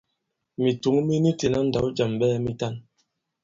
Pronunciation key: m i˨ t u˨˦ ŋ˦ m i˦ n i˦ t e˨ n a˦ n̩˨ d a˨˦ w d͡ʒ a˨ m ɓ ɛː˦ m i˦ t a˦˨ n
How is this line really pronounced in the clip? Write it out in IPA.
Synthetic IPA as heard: m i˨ t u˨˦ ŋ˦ m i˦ n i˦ t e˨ n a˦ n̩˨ d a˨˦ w d͡ʒ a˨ m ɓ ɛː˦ m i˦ t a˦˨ n

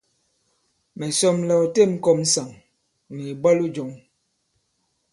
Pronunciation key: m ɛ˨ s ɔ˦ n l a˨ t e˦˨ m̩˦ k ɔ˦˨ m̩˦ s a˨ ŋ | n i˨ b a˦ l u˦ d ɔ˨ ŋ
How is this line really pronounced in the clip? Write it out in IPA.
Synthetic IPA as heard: m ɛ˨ s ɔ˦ m l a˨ t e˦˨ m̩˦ k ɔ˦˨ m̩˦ s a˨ ŋ | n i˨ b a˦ l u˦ d͡ʒ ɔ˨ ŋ

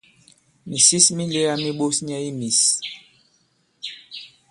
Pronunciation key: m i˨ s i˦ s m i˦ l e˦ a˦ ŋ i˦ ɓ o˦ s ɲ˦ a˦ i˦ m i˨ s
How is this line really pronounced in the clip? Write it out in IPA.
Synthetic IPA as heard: m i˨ s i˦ s m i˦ l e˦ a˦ m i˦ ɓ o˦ s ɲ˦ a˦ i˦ m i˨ s

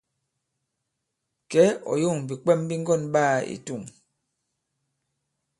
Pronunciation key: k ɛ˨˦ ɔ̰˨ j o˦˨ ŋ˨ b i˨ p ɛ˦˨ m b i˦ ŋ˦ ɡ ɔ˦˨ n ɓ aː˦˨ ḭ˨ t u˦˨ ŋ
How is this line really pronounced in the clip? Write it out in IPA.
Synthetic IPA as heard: k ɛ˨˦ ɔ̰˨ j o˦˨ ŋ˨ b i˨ k͡p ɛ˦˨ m b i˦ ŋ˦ ɡ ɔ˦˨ n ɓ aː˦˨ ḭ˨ t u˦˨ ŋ

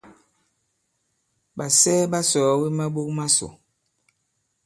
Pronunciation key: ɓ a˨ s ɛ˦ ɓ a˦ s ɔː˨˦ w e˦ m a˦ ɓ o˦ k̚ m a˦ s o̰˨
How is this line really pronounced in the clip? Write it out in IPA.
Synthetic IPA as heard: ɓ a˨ s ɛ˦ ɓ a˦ s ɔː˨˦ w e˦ m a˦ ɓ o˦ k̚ m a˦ s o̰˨

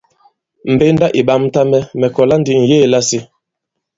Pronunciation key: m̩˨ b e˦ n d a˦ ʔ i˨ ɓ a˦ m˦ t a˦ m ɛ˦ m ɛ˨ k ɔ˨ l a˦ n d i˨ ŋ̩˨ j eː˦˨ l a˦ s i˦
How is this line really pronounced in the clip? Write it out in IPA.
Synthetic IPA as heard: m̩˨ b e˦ n d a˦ ʔ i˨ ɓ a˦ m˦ t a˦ m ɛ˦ m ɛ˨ k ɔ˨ l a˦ n d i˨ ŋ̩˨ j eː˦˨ l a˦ s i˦

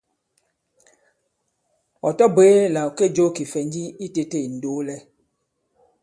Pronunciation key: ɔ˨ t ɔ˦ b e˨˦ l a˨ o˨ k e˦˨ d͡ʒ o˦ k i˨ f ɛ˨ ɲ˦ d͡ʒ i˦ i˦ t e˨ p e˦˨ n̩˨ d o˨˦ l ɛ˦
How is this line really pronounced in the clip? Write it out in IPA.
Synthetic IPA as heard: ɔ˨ t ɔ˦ b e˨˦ l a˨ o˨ k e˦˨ d͡ʒ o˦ k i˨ f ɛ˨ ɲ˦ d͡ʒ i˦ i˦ t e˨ t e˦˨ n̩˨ d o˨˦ l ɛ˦

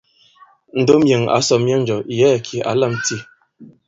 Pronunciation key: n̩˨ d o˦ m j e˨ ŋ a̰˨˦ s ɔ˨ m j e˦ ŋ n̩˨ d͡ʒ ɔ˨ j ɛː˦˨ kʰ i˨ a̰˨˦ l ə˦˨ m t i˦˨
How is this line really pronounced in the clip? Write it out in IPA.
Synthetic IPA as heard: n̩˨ d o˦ m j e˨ ŋ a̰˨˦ s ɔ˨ m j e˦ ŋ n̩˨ d͡ʒ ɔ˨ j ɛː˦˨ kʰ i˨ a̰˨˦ l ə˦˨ m t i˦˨

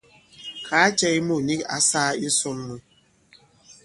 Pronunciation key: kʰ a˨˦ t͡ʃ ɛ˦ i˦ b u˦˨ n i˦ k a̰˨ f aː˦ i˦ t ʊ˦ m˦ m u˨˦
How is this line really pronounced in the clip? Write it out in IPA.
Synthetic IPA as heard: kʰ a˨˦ t͡ʃ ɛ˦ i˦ m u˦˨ n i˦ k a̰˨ s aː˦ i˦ s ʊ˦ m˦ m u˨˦

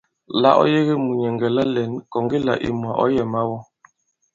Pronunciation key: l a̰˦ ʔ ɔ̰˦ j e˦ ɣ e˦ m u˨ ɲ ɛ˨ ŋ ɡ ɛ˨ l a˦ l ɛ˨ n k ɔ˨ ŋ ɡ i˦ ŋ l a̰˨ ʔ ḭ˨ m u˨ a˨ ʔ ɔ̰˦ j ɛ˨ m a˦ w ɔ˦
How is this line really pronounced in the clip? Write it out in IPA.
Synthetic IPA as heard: l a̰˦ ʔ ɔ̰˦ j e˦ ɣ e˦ m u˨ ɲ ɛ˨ ŋ ɡ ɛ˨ l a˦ l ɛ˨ n k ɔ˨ ŋ ɡ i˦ l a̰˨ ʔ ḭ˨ m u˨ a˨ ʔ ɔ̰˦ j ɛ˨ m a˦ w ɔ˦

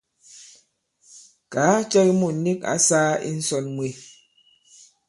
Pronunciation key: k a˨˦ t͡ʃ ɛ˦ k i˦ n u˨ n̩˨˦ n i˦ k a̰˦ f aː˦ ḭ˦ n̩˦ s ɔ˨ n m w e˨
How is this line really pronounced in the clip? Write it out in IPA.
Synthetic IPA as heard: k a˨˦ t͡ʃ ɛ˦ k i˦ m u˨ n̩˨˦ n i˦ k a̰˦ s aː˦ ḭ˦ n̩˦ s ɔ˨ n m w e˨

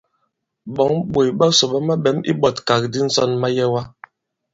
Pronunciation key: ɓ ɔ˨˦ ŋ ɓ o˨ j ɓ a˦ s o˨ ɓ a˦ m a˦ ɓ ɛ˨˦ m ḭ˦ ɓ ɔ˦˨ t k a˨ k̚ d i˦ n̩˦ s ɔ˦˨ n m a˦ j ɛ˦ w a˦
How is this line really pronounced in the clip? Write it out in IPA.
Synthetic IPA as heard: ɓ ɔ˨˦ ŋ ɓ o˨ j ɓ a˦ s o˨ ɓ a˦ m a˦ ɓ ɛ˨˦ m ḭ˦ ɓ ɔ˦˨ t k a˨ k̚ d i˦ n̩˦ s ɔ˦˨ n m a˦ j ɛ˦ w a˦

